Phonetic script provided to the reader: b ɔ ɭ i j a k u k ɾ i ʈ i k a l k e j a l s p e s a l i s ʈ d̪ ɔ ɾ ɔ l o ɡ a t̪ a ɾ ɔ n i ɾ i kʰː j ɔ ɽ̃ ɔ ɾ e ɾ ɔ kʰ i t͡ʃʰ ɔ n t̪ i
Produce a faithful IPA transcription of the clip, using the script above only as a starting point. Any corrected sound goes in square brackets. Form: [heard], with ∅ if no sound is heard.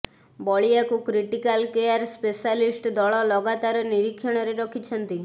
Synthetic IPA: b ɔ ɭ i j a k u k ɾ i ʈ i k a l k e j a [ɾ] s p e s a l i s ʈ d̪ ɔ [ɭ] ɔ l [ɔ] ɡ a t̪ a ɾ ɔ n i ɾ i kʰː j ɔ ɽ̃ ɔ ɾ e ɾ ɔ kʰ i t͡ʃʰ ɔ n t̪ i

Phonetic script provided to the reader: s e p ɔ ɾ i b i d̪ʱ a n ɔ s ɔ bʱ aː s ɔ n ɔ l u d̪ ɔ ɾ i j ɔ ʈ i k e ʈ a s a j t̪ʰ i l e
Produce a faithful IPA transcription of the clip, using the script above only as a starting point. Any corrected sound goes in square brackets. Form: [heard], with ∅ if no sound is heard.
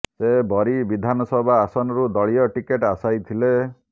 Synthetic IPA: s e [b] ɔ ɾ i b i d̪ʱ a n ɔ s ɔ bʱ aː s ɔ n ɔ [ɾ] u d̪ ɔ [ɭ] i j ɔ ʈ i k e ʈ a s a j t̪ʰ i l e

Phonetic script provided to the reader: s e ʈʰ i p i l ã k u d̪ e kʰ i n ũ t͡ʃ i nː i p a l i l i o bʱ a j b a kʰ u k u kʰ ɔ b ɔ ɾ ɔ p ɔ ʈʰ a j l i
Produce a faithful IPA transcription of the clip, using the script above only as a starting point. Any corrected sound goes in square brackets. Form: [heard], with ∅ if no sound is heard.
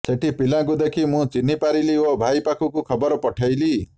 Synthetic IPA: s e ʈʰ i p i l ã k u d̪ e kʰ i [m] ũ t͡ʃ i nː i p a [ɾ] i l i o bʱ a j [p] a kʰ u k u kʰ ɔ b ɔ ɾ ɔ p ɔ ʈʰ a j l i

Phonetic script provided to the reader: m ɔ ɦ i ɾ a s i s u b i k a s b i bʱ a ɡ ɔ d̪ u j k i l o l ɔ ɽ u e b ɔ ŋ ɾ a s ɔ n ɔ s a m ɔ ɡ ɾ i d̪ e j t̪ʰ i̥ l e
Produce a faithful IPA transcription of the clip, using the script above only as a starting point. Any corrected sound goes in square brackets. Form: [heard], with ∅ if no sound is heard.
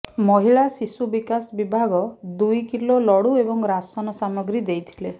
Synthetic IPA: m ɔ ɦ i [ɭ] a s i s u b i k a s b i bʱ a ɡ ɔ d̪ u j k i l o l ɔ ɽ u e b ɔ ŋ ɾ a s ɔ n ɔ s a m ɔ ɡ ɾ i d̪ e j t̪ʰ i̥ l e

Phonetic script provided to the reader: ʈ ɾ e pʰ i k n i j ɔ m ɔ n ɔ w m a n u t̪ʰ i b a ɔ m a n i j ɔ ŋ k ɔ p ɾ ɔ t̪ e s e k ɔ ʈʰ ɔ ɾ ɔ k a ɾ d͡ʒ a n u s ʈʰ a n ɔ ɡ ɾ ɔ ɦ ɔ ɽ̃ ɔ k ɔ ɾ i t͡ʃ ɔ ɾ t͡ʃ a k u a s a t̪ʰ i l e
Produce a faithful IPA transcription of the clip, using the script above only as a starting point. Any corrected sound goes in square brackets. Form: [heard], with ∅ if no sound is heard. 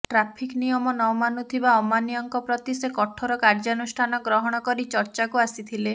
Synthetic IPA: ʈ ɾ [a] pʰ i k n i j ɔ m ɔ n ɔ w m a n u t̪ʰ i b a ɔ m a n i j ɔ ŋ k ɔ p ɾ ɔ t̪ [i] s e k ɔ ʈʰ ɔ ɾ ɔ k a ɾ d͡ʒ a n u s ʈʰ a n ɔ ɡ ɾ ɔ ɦ ɔ ɽ̃ ɔ k ɔ ɾ i t͡ʃ ɔ ɾ t͡ʃ a k u a s [i] t̪ʰ i l e

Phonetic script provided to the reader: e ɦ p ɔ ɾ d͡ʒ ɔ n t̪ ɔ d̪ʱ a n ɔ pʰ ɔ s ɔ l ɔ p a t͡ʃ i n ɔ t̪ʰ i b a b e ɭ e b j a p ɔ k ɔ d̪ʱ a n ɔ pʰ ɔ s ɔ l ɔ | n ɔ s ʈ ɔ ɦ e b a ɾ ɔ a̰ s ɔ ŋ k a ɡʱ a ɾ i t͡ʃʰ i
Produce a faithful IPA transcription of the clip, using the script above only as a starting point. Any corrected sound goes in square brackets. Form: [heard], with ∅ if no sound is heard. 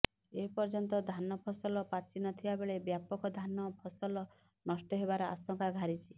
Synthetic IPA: e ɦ p ɔ ɾ d͡ʒ ɔ n t̪ ɔ d̪ʱ a n ɔ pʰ ɔ s ɔ l ɔ p a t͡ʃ i n ɔ t̪ʰ i b a b e ɭ e b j a p ɔ k ɔ d̪ʱ a n ɔ pʰ ɔ s ɔ l ɔ | n ɔ s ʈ ɔ ɦ e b a ɾ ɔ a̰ s ɔ ŋ k a ɡʱ a ɾ i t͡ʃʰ i

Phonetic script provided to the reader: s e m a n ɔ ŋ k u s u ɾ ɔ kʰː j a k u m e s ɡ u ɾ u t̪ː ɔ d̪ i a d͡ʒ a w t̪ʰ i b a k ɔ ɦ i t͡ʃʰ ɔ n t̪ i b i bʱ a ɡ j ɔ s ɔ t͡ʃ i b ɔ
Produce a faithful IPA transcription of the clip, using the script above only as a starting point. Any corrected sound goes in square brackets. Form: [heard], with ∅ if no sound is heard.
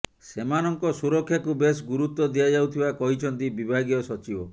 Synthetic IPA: s e m a n ɔ ŋ k [ɔ] s u ɾ ɔ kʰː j a k u [b] e s ɡ u ɾ u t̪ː ɔ d̪ i a d͡ʒ a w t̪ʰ i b a k ɔ ɦ i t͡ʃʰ ɔ n t̪ i b i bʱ a ɡ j ɔ s ɔ t͡ʃ i b ɔ

